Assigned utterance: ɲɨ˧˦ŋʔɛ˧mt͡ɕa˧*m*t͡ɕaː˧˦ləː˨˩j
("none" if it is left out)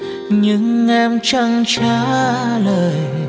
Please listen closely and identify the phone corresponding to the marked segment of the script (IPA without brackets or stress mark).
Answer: ŋ